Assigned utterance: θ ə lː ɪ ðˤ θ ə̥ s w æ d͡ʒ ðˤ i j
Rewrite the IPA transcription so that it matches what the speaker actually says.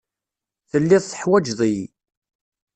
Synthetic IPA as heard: θ ə lː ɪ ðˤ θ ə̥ ħ w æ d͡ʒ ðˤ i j